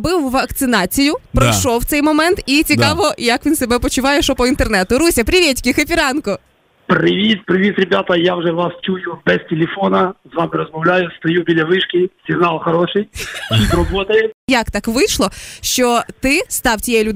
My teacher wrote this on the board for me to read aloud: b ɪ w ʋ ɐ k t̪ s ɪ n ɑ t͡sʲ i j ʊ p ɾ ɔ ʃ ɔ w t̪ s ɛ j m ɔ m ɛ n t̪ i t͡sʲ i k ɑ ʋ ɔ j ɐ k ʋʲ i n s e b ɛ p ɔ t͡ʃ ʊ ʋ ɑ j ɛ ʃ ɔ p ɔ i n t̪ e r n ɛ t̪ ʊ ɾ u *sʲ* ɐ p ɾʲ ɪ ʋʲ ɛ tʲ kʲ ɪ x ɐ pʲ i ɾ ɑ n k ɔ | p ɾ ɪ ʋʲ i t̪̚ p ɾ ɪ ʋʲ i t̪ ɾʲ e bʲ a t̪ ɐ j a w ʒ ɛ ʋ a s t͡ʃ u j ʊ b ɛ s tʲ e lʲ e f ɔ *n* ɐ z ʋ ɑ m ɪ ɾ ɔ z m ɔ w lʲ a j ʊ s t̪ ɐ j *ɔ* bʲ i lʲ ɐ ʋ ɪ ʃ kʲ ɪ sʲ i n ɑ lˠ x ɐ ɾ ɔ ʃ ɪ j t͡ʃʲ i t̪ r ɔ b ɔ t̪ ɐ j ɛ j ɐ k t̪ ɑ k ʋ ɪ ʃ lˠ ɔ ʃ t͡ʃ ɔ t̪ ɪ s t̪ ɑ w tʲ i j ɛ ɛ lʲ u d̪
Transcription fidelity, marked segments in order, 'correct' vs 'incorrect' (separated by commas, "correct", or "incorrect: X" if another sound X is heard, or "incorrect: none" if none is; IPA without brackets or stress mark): correct, correct, incorrect: u